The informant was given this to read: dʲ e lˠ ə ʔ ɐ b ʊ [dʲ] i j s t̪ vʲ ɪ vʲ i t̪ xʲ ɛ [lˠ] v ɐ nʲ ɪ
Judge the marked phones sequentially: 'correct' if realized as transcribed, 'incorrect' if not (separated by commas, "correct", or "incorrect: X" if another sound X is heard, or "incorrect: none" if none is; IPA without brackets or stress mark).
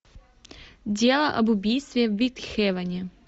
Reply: incorrect: bʲ, incorrect: none